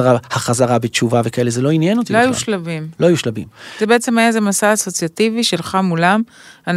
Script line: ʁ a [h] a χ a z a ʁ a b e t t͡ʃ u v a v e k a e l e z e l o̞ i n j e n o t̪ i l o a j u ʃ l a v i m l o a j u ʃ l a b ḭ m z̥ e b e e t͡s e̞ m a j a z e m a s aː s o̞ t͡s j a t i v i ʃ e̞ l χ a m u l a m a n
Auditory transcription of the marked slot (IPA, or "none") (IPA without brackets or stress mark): h